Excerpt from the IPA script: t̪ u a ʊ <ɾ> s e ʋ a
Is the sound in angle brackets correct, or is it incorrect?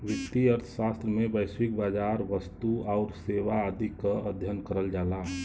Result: correct